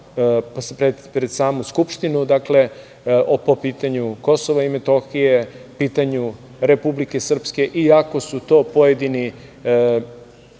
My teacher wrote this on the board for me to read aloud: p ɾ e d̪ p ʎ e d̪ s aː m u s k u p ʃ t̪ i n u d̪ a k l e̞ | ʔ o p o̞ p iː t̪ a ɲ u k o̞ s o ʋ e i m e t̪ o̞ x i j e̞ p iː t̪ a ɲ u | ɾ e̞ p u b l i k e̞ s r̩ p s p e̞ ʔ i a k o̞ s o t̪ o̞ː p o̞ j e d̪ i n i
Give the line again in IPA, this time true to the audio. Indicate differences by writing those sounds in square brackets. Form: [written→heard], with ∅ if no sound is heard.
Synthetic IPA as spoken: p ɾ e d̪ p [ʎ→ɾ] e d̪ s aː m u s k u p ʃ t̪ i n u d̪ a k l e̞ | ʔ o p o̞ p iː t̪ a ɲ u k o̞ s o ʋ [e→a] i m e t̪ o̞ x i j e̞ p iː t̪ a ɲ u | ɾ e̞ p u b l i k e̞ s r̩ p s [p→k] e̞ ʔ i a k o̞ s [o→u] t̪ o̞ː p o̞ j e d̪ i n i

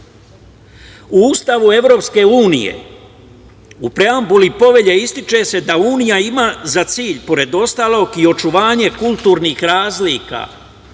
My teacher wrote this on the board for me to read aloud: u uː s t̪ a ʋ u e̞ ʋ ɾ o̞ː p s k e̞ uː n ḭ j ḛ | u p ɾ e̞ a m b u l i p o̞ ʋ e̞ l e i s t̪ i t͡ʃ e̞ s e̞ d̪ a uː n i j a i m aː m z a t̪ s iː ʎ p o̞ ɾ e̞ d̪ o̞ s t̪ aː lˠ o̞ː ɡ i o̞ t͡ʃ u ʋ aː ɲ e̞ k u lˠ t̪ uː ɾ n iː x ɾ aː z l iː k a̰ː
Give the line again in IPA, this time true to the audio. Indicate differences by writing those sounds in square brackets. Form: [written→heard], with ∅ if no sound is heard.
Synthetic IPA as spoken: u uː s t̪ a ʋ u e̞ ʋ ɾ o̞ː p s k e̞ uː n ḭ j ḛ | u p ɾ e̞ a m b u l i p o̞ ʋ e̞ [l→ʎ] e i s t̪ i t͡ʃ e̞ s e̞ d̪ a uː n i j a i m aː [m→∅] z a t̪ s iː ʎ p o̞ ɾ e̞ d̪ o̞ s t̪ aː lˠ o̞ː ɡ i o̞ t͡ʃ u ʋ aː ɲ e̞ k u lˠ t̪ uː ɾ n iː x ɾ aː z l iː k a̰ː

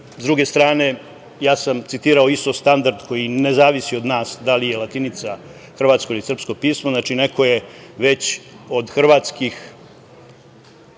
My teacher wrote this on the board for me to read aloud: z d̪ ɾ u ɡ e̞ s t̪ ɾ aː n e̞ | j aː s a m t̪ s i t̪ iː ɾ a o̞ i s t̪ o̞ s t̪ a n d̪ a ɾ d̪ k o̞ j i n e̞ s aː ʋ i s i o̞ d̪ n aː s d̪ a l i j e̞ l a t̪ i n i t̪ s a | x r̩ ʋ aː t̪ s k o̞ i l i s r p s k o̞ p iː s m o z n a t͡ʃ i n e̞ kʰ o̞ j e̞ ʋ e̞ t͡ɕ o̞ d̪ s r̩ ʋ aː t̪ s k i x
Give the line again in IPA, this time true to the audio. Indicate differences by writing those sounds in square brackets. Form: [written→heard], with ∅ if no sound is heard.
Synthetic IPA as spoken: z d̪ ɾ u ɡ e̞ s t̪ ɾ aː n e̞ | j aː s a m t̪ s i t̪ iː ɾ a o̞ i s t̪ o̞ s t̪ a n d̪ a ɾ d̪ k o̞ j i n e̞ [s→z] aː ʋ i s i o̞ d̪ n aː s d̪ a l i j e̞ l a t̪ i n i t̪ s a | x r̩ ʋ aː t̪ s k o̞ i l i s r p s k o̞ p iː s m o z n a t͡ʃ i n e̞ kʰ o̞ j e̞ ʋ e̞ t͡ɕ o̞ d̪ [s→x] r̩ ʋ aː t̪ s k i x

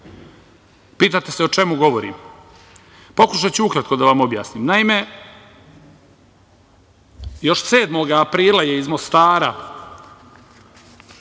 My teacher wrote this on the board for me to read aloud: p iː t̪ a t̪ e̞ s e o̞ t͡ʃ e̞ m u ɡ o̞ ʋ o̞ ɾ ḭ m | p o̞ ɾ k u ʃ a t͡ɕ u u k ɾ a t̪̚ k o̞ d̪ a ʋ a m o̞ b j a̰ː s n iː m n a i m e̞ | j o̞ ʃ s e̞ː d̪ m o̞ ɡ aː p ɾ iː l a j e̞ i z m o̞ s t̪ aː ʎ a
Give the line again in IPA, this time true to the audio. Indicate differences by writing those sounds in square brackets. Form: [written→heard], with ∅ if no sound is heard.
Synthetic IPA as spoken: p iː t̪ a t̪ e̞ s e o̞ t͡ʃ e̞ m u ɡ o̞ ʋ o̞ ɾ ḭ m | p o̞ [ɾ→∅] k u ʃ a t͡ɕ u u k ɾ a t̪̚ k o̞ d̪ a ʋ a m o̞ b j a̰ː s n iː m n a i m e̞ | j o̞ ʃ s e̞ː d̪ m o̞ ɡ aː p ɾ iː l a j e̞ i z m o̞ s t̪ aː [ʎ→ɾ] a

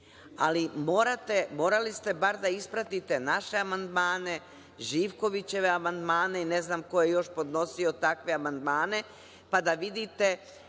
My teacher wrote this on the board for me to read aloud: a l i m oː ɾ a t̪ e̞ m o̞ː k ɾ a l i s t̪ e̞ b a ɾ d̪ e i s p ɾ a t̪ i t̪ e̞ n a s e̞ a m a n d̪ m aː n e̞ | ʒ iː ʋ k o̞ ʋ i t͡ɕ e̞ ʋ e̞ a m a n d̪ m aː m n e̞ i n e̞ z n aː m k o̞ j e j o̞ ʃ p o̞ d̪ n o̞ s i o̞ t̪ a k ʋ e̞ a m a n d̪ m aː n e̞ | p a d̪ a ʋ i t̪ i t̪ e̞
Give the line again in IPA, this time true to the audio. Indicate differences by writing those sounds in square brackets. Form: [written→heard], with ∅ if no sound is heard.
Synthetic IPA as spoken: a l i m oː ɾ a t̪ e̞ m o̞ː [k→∅] ɾ a l i s t̪ e̞ b a ɾ d̪ [e→a] i s p ɾ a t̪ i t̪ e̞ n a [s→ʃ] e̞ a m a n d̪ m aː n e̞ | ʒ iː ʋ k o̞ ʋ i t͡ɕ e̞ ʋ e̞ a m a n d̪ m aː [m→∅] n e̞ i n e̞ z n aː m k o̞ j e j o̞ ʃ p o̞ d̪ n o̞ s i o̞ t̪ a k ʋ e̞ a m a n d̪ m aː n e̞ | p a d̪ a ʋ i [t̪→d̪] i t̪ e̞

